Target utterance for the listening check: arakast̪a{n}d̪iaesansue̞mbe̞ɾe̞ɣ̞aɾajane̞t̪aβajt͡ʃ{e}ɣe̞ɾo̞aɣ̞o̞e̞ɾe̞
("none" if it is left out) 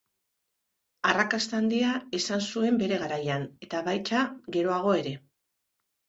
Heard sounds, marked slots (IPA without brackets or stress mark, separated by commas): n, a